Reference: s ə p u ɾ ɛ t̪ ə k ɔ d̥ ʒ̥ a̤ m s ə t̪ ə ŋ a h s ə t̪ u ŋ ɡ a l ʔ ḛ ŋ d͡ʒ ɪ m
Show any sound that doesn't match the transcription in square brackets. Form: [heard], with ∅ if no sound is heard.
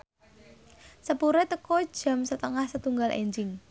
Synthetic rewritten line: s ə p u ɾ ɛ t̪ ə k ɔ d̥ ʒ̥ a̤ m s ə t̪ ə ŋ a h s ə t̪ u ŋ ɡ a l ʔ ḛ [ɲ] d͡ʒ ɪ [ŋ]